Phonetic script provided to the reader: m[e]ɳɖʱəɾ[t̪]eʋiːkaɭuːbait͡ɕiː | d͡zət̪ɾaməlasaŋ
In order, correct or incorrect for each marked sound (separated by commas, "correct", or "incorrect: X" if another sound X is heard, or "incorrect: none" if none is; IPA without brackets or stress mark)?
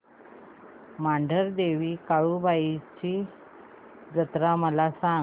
incorrect: a, incorrect: d̪